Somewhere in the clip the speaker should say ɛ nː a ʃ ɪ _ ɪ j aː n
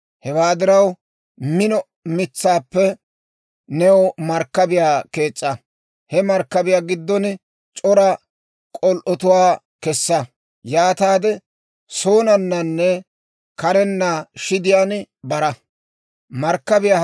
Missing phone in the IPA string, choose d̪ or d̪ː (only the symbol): d̪